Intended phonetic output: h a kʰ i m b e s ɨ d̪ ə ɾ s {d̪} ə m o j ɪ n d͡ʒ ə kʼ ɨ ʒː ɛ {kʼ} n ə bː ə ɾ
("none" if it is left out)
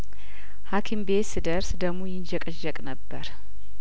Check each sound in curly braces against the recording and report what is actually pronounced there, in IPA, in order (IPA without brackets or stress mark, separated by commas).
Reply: d̪, kʼ